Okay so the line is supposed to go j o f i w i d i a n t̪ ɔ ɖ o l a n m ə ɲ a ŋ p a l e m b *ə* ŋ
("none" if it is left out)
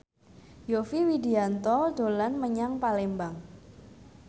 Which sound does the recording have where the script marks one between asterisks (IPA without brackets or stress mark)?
a